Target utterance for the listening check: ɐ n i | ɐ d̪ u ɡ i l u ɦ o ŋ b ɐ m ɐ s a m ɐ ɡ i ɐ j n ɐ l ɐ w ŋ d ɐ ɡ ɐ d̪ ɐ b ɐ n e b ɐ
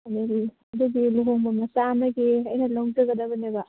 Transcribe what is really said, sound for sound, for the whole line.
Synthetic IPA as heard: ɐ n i | ɐ d̪ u ɡ i l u ɦ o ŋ b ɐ m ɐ s a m ɐ ɡ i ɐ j n ɐ l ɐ w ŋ d͡ʒ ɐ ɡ ɐ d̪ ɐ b ɐ n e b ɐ